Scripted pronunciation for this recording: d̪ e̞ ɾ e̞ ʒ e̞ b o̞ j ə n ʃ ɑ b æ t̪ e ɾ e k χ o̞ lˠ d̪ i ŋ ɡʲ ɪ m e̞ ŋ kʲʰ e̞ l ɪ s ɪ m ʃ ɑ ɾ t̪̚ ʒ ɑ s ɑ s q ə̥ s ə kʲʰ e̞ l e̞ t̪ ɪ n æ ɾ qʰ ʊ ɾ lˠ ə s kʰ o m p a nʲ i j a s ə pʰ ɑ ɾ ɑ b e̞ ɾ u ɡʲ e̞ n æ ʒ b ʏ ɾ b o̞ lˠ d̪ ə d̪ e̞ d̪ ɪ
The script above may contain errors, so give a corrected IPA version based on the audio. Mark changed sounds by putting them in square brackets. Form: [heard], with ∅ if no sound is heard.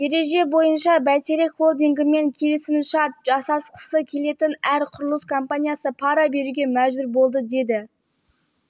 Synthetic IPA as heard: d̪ e̞ ɾ e̞ ʒ e̞ b o̞ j ə n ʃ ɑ b æ t̪ e ɾ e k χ o̞ lˠ d̪ i ŋ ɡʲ ɪ m e̞ ŋ kʲʰ e̞ l ɪ s ɪ m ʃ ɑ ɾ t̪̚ ʒ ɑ s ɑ s q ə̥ s ə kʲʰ e̞ l e̞ t̪ ɪ n æ ɾ qʰ ʊ ɾ lˠ ə s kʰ o m p a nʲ i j a s ə pʰ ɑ ɾ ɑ b e̞ ɾ u ɡʲ e̞ [m] æ ʒ b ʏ ɾ b o̞ lˠ d̪ ə d̪ e̞ d̪ ɪ